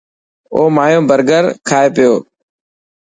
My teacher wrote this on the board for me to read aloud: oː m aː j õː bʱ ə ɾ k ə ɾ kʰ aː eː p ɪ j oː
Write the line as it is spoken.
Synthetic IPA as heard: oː m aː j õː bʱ ə ɾ ɡ ə ɾ kʰ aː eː p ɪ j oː